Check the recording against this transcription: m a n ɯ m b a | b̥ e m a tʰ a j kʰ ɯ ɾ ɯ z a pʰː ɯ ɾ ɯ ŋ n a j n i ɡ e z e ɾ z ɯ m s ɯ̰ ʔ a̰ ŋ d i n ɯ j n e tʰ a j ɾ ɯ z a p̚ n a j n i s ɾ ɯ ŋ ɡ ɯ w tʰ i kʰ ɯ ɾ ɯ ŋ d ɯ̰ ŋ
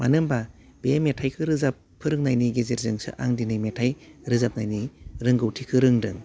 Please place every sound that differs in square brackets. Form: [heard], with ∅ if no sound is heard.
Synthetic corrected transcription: m a n ɯ m b a | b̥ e m [e] tʰ a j kʰ ɯ ɾ ɯ z a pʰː ɯ ɾ ɯ ŋ n a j n i ɡ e z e ɾ z ɯ [ŋ] s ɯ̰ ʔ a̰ ŋ d i n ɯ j [m] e tʰ a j ɾ ɯ z a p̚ n a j n i [∅] ɾ ɯ ŋ ɡ ɯ w tʰ i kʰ ɯ ɾ ɯ ŋ d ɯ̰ ŋ